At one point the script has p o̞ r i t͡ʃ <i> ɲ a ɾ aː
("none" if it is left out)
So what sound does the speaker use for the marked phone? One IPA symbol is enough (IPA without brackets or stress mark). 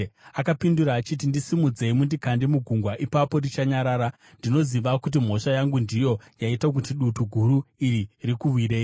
a